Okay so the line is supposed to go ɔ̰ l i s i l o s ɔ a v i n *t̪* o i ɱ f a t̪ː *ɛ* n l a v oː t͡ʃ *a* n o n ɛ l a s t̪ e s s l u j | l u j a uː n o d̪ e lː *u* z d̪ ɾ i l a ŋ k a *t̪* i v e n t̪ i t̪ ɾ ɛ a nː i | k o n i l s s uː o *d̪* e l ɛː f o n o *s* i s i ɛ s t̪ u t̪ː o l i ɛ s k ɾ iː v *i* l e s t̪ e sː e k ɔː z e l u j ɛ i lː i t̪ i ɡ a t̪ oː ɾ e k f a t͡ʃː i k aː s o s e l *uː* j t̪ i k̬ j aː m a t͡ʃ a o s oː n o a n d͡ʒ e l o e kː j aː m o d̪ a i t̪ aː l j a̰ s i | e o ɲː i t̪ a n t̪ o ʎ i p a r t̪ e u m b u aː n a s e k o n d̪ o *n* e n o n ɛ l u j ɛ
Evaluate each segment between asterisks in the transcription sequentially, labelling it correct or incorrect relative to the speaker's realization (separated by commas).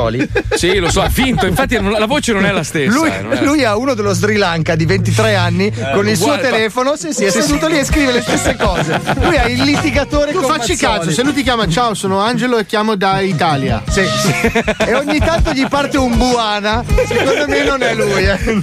correct, incorrect, incorrect, incorrect, incorrect, incorrect, correct, incorrect, incorrect, incorrect